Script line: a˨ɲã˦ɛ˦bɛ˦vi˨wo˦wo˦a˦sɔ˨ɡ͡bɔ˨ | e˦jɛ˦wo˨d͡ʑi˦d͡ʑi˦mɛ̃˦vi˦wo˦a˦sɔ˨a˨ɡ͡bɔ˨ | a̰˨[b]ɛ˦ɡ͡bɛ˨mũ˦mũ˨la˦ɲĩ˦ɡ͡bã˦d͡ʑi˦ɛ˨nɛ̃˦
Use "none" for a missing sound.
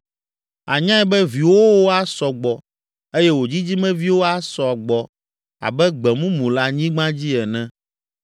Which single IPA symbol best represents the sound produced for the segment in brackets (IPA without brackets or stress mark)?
b